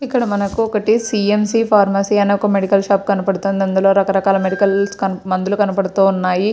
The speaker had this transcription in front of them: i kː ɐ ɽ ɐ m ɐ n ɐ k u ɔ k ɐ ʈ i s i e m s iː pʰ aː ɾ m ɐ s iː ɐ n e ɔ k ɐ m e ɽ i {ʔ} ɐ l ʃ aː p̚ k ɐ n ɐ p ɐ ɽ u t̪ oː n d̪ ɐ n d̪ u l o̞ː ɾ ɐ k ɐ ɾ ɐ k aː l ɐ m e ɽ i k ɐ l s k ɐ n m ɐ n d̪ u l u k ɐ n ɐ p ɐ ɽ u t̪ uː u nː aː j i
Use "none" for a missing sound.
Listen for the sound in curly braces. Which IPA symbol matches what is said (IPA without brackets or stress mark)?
k